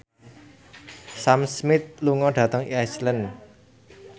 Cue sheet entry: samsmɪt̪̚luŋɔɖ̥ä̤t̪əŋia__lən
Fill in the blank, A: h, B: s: B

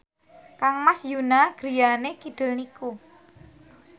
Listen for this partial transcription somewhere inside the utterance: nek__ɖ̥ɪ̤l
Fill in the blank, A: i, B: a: A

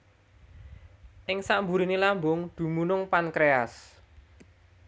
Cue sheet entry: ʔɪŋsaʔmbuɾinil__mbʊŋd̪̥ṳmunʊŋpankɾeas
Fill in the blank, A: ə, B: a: B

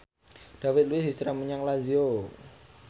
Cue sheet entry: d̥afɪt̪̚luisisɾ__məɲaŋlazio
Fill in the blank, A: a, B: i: A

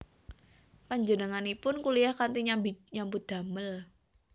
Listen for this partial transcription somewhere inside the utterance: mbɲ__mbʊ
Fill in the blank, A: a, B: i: A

